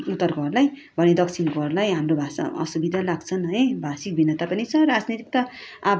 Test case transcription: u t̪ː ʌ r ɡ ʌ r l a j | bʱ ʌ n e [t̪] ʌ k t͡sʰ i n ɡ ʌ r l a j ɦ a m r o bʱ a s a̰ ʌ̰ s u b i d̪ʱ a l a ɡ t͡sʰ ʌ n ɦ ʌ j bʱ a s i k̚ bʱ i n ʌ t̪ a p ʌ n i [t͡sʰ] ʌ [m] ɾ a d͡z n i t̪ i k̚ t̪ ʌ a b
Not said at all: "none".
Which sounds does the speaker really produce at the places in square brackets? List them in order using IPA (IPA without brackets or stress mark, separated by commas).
d̪, t͡sʰ, none